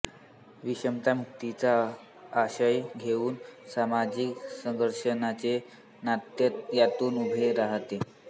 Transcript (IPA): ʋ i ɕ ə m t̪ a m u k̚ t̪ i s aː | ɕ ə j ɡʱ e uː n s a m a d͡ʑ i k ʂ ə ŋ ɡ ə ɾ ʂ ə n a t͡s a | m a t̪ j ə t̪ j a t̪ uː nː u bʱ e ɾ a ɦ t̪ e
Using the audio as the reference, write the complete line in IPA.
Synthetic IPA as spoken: ʋ i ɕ ə m t̪ a m u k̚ t̪ i t͡s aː | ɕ ə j ɡʱ e uː n s a m a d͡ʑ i k s ə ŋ ɡ ə ɾ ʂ ə n a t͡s e | n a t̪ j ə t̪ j a t̪ uː n u bʱ e ɾ a ɦ t̪ e